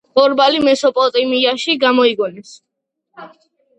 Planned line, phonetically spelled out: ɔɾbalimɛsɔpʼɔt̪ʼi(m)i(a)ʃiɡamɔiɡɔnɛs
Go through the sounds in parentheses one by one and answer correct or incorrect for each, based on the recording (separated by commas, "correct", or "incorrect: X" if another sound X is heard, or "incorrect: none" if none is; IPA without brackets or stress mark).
correct, correct